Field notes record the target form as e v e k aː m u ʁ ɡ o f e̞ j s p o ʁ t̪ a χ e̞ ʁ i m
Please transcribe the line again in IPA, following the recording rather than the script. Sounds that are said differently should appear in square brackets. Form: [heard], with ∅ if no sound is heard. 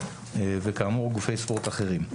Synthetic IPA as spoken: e v e k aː m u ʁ ɡ [u] f e̞ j s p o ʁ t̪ a χ e̞ ʁ i m